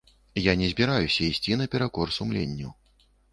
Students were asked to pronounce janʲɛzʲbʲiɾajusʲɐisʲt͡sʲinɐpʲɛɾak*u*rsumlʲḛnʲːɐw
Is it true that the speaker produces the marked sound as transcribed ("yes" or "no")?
no